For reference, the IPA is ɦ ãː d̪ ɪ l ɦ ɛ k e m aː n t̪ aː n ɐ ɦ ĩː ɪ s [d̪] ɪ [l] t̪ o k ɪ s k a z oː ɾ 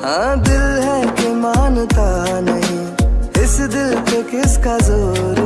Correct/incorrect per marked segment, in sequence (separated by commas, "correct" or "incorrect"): correct, correct